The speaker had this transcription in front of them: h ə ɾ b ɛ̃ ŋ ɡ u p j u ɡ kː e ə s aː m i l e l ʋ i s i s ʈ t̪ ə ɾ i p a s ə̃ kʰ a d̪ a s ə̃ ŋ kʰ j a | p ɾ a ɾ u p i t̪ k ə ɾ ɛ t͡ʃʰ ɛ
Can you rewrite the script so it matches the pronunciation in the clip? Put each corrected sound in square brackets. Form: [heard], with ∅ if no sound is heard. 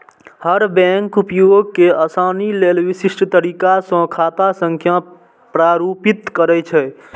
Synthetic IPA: h ə ɾ b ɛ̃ ŋ [k] u p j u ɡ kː e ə s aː [n] i l e l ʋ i s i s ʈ t̪ ə ɾ i [k] a s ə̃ kʰ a [t̪] a s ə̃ ŋ kʰ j a | p ɾ a ɾ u p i t̪ k ə ɾ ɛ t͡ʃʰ ɛ